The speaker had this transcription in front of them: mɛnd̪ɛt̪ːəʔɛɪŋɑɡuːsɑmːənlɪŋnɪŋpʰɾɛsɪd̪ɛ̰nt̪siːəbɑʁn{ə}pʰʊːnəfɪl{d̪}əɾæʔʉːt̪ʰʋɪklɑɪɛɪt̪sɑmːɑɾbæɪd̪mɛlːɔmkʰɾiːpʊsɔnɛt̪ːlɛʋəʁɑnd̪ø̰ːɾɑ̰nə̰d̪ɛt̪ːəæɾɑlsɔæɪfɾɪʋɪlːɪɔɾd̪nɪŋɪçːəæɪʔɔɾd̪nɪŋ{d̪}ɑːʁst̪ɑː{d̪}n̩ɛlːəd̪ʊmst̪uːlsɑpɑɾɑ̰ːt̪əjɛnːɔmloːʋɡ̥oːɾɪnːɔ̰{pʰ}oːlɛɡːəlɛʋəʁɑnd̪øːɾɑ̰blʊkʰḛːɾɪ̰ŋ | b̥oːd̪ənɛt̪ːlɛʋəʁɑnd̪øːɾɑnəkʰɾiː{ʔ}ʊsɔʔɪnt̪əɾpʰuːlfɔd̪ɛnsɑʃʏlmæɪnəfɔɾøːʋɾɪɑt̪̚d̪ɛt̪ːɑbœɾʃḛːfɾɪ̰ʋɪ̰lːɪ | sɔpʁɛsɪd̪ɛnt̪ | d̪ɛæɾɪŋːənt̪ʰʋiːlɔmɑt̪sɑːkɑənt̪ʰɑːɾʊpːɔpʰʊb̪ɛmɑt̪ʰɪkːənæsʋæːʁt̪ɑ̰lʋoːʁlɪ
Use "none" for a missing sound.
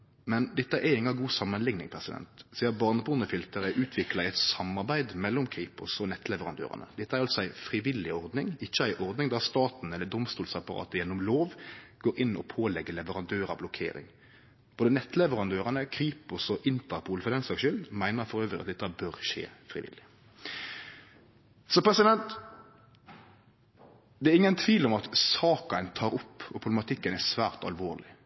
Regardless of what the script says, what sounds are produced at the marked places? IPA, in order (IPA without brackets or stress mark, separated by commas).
ə, t̪, d̪, t̪, pʰ, p